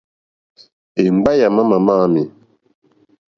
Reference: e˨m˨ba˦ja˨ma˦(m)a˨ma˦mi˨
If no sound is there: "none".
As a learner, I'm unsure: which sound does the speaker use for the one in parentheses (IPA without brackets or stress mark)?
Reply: m